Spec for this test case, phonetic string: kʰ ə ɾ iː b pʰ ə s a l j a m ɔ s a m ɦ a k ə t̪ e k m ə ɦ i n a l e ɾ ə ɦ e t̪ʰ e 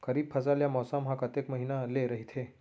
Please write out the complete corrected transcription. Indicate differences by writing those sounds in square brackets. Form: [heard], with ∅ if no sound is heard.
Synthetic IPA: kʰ ə ɾ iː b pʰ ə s a l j a m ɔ s a m ɦ a k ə t̪ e k m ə ɦ i n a l e ɾ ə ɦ [i] t̪ʰ e